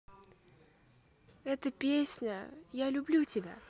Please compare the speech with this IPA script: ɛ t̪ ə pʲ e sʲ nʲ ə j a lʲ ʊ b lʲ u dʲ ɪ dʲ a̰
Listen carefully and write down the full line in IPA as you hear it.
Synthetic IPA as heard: ɛ t̪ ə pʲ e sʲ nʲ ə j a lʲ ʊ b lʲ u tʲ ɪ bʲ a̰